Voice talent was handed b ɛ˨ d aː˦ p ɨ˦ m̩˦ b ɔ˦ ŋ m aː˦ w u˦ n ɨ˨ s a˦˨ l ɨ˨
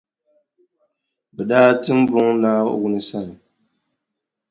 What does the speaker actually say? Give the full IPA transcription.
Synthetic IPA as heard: b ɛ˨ d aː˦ t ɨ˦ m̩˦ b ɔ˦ ŋ n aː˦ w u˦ n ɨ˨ s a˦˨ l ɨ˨

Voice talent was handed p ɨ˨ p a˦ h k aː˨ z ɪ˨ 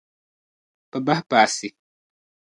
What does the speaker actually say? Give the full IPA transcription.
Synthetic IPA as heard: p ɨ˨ b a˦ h p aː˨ s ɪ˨

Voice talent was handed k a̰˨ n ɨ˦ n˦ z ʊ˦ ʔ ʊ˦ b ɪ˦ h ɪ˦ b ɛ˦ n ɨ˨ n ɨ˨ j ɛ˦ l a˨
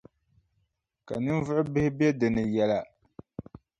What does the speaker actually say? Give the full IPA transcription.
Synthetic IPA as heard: k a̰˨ n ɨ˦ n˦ v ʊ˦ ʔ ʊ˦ b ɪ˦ h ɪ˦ b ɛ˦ d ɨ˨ n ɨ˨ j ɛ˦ l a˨

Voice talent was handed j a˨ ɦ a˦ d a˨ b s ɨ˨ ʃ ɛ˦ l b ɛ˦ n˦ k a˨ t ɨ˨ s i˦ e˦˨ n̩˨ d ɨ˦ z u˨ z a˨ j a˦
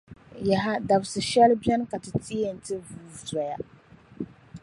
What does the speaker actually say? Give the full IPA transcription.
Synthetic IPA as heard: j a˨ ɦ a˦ d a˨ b s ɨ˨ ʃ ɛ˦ l b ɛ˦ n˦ k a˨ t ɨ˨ t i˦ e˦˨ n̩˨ t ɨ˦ v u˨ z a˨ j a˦

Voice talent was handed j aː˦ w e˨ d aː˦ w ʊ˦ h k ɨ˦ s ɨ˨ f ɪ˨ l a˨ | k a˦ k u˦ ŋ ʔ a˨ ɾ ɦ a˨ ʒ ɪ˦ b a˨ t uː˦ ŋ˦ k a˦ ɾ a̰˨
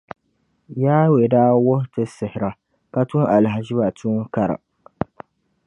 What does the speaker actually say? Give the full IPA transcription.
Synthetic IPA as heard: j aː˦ w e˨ d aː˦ w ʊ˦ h t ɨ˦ s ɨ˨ h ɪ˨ ɾ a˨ | k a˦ t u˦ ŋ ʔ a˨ l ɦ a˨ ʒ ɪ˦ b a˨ t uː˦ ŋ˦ k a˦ ɾ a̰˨

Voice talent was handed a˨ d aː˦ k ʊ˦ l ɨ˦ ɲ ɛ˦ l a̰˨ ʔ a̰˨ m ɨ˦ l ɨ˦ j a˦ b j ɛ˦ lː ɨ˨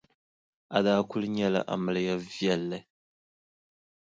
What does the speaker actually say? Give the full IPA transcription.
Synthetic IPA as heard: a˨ d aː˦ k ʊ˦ l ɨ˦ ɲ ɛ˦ l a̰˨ ʔ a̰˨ m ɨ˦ l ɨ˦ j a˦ v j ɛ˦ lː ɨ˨

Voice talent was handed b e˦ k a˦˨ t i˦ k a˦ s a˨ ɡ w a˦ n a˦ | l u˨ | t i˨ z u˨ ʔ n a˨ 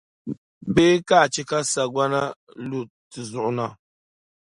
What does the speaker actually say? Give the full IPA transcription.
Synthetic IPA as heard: b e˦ k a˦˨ t͡ʃ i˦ k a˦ s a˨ ɡ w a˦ n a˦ | l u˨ | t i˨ z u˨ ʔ n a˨

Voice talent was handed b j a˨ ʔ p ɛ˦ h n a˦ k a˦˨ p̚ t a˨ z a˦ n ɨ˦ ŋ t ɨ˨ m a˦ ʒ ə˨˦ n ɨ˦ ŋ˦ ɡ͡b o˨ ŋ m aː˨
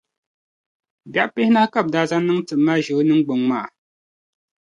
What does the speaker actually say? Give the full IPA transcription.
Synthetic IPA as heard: b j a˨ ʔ p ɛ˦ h n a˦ k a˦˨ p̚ d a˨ z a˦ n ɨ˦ ŋ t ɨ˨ m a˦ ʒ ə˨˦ n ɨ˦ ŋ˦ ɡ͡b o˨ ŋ m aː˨

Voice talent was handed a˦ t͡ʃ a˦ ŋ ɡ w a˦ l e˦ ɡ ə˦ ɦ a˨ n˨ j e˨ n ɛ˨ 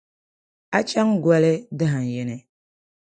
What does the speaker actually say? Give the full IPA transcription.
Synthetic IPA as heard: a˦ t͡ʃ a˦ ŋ ɡ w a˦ l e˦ d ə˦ ɦ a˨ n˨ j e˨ n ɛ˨

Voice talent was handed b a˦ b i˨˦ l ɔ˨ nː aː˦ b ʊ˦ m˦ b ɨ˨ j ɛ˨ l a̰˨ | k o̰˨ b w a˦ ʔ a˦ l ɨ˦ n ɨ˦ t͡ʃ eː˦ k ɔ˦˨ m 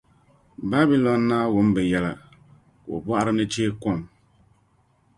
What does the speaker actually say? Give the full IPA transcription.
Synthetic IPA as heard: b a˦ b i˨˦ l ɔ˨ nː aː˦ w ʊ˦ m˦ b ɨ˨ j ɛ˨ l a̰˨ | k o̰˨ b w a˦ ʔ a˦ ɾ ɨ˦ n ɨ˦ t͡ʃ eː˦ k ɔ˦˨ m

